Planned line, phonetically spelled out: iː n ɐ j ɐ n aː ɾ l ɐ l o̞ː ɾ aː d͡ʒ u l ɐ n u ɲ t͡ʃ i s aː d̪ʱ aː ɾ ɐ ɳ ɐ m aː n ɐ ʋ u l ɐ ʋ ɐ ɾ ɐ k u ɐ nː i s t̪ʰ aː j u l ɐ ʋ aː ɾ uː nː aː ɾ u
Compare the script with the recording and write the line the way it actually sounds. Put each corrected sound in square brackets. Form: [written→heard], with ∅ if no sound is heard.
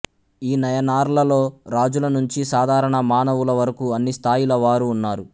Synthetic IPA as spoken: iː n ɐ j ɐ n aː ɾ l ɐ l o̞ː ɾ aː d͡ʒ u l ɐ n u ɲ t͡ʃ i s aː d̪ʱ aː ɾ ɐ ɳ ɐ m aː n ɐ ʋ u l ɐ ʋ ɐ ɾ ɐ k u ɐ nː i s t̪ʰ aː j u l ɐ ʋ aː ɾ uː nː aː ɾ u